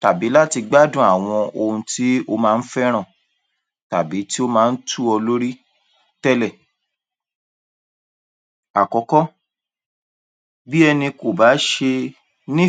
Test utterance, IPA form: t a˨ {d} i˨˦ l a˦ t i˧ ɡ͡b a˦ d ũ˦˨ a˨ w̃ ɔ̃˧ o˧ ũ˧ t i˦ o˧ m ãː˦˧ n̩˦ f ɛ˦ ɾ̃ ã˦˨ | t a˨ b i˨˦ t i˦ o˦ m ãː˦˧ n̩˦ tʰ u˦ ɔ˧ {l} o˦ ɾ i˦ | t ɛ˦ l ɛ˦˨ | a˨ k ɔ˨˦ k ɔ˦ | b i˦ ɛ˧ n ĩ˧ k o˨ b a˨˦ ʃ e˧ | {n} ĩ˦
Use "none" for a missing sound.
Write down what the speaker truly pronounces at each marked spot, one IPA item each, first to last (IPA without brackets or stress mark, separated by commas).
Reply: b, l, n